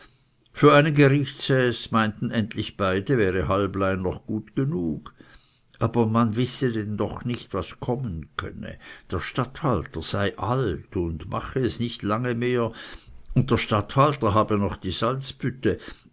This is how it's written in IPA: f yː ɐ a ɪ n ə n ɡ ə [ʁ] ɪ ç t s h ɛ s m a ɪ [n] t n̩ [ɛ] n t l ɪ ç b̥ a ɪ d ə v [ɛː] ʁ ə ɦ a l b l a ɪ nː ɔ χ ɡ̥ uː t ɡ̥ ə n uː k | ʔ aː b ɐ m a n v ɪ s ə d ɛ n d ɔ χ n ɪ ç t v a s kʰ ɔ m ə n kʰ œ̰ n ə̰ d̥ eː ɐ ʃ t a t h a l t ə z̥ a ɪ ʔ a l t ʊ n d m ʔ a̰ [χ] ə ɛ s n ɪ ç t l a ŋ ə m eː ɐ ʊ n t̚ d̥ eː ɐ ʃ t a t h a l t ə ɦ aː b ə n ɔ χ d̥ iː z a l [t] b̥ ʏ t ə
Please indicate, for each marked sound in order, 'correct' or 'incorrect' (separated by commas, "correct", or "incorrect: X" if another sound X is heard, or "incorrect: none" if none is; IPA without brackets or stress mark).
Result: correct, correct, correct, correct, correct, incorrect: t͡s